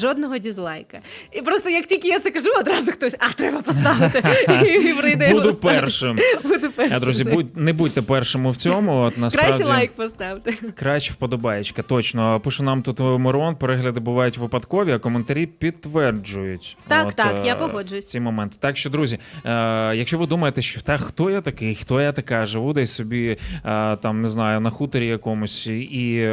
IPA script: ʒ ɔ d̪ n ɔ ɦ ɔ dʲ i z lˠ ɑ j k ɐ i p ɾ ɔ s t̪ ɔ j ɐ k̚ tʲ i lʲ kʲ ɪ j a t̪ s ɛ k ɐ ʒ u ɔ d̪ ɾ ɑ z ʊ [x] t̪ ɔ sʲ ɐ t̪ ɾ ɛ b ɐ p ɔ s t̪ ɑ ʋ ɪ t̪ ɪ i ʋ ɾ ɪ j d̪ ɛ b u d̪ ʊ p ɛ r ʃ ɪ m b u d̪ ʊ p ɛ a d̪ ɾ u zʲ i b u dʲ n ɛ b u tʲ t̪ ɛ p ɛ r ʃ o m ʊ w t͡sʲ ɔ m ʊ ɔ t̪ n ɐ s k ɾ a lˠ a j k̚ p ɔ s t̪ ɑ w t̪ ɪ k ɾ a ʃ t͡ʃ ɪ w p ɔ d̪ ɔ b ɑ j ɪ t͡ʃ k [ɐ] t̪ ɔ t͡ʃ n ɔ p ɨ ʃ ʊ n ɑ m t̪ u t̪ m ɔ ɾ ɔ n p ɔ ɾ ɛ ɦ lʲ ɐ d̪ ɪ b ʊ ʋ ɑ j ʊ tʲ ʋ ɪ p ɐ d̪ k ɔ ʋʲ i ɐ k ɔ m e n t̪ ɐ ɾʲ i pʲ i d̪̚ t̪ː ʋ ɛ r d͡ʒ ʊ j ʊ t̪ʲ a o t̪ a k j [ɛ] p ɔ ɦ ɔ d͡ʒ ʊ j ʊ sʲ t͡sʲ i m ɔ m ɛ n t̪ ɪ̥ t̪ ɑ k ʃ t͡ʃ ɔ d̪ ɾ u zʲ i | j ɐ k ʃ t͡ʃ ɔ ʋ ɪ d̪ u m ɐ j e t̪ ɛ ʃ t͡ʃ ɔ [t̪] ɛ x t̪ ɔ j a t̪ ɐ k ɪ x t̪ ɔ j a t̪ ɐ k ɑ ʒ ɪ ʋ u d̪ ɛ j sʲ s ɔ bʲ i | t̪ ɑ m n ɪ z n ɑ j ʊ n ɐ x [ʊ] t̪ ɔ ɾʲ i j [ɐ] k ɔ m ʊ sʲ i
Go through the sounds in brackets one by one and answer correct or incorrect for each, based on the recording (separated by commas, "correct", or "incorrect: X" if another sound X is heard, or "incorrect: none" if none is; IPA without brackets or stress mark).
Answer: correct, correct, incorrect: a, correct, incorrect: u, correct